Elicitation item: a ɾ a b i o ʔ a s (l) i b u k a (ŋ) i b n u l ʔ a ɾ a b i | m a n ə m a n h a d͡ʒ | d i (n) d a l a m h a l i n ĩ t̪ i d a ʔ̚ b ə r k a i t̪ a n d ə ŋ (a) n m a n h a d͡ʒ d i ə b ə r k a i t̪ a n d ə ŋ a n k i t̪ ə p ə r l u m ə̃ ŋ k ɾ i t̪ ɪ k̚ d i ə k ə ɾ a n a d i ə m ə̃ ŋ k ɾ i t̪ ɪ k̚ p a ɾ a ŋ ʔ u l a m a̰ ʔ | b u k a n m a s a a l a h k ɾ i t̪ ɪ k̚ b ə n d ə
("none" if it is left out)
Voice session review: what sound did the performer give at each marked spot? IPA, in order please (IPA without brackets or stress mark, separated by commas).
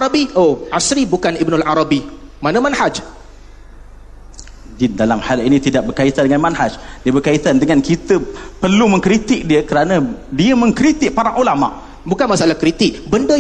ɾ, n, n, a